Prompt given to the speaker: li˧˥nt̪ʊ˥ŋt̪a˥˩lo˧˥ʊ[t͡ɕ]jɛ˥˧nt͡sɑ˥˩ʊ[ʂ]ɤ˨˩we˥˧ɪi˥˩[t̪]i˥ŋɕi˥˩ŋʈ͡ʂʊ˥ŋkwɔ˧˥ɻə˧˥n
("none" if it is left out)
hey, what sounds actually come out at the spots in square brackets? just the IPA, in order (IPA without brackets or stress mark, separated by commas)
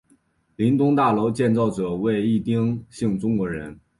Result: t͡ɕ, ʈ͡ʂ, t̪